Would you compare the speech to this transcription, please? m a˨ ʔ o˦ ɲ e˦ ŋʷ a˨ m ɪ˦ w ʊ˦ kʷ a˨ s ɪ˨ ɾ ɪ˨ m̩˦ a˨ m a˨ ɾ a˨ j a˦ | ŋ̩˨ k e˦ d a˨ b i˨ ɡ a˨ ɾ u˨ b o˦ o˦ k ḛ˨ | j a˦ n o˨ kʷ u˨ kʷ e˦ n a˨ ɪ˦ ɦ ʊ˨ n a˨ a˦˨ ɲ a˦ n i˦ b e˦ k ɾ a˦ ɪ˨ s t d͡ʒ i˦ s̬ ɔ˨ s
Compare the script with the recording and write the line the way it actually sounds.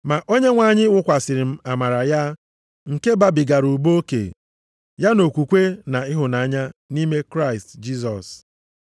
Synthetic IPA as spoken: m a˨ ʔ o˦ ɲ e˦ ŋʷ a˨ ɲ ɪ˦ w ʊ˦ kʷ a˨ s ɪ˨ ɾ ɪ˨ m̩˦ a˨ m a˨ ɾ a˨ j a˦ | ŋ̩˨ k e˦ b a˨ b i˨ ɡ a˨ ɾ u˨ b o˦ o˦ k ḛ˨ | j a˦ n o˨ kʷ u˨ kʷ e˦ n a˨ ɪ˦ ɦ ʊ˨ n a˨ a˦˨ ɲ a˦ n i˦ m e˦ k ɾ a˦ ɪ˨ s t d͡ʒ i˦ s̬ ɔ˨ s